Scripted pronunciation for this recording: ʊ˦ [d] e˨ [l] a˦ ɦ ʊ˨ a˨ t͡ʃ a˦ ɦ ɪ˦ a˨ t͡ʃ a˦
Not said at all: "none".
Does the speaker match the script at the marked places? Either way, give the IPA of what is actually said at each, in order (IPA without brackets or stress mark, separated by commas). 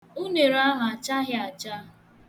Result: n, ɾ